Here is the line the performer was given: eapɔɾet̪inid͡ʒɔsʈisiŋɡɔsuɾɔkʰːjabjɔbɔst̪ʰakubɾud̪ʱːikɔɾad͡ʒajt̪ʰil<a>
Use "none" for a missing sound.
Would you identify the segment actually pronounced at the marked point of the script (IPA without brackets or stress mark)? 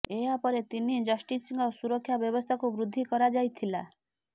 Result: a